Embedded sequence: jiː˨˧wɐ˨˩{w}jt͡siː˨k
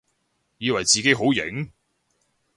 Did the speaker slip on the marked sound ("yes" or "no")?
yes